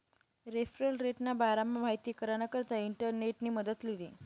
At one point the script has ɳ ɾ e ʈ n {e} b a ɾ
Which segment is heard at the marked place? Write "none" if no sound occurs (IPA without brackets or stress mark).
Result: a